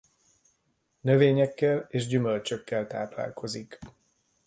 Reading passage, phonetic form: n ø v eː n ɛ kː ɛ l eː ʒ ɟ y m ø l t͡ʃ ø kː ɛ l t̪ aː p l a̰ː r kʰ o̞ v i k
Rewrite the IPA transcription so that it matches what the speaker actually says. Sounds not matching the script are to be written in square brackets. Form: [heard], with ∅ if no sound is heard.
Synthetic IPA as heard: n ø v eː [ɲ] ɛ kː ɛ l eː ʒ ɟ y m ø l t͡ʃ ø kː ɛ l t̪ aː p l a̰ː [l] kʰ o̞ [z] i k